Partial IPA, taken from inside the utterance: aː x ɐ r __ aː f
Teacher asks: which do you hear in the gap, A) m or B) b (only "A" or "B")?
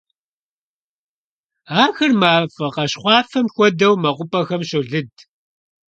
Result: A